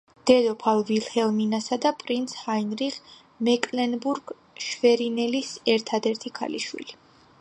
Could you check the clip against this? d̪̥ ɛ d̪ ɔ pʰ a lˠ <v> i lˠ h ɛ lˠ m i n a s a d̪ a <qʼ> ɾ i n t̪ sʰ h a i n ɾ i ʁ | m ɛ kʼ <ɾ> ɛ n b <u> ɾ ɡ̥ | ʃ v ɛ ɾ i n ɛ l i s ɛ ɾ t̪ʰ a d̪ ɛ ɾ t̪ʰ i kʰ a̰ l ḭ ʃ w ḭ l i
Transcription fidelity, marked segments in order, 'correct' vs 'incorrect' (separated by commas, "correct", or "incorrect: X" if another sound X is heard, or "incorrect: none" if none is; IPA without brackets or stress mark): correct, incorrect: pʼ, incorrect: l, correct